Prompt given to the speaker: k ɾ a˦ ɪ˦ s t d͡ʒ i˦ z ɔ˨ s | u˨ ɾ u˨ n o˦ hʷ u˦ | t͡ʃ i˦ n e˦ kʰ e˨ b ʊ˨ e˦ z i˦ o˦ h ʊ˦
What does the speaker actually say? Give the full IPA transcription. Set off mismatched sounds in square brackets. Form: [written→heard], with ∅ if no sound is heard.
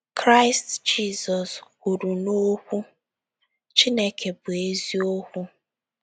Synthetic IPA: k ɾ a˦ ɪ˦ s t d͡ʒ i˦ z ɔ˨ s | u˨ ɾ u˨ n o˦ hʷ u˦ | t͡ʃ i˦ n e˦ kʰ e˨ b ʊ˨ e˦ z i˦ o˦ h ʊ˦